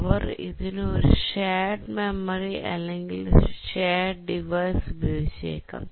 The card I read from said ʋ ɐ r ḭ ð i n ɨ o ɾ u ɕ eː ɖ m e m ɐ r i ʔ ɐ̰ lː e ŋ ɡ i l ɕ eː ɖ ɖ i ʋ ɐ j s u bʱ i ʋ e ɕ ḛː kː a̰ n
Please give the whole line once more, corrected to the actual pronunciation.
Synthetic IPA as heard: ʋ ɐ r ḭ ð i n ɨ o ɾ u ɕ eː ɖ m e m ɐ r i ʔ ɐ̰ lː e ŋ ɡ i l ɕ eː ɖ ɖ i ʋ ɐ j s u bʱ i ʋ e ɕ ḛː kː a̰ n